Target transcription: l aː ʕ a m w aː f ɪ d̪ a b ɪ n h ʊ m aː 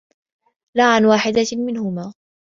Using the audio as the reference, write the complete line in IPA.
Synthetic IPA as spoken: l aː ʕ a n w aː ħ ɪ d̪ a m ɪ n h ʊ m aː